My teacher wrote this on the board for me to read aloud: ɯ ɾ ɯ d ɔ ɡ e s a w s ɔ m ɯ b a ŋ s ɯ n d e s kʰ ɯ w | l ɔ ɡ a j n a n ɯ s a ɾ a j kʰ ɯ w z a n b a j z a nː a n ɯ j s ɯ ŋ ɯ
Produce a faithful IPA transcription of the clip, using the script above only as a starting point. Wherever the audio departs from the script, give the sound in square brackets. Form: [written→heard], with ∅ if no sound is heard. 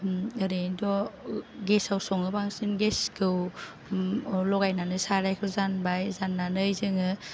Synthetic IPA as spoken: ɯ ɾ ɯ d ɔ ɡ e s a w s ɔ [m→ŋ] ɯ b a ŋ s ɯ n [d→ɡ] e s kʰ ɯ w | l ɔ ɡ a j n a n ɯ s a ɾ a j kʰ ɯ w z a n b a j z a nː a n ɯ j [s→z] ɯ ŋ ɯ